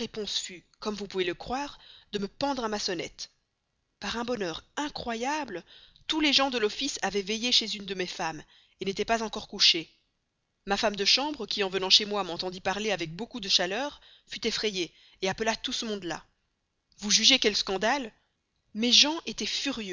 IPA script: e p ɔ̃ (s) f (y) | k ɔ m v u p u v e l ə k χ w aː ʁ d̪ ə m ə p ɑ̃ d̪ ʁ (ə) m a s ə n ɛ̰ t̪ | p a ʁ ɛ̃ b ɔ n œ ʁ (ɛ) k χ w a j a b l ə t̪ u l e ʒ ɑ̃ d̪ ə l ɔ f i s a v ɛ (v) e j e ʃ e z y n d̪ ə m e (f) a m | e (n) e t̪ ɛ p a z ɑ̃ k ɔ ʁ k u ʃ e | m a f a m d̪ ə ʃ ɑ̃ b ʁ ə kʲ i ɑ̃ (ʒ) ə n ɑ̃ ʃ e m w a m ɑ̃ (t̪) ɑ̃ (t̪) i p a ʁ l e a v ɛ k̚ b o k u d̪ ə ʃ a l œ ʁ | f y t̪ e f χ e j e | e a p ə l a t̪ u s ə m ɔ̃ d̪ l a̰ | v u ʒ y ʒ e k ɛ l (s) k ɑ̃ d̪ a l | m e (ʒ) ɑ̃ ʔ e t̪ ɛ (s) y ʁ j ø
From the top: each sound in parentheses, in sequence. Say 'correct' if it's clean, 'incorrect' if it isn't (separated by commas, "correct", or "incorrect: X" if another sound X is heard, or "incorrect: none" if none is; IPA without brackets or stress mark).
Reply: correct, correct, incorrect: a, incorrect: ɛ̃, correct, correct, correct, incorrect: v, correct, incorrect: d̪, correct, correct, incorrect: f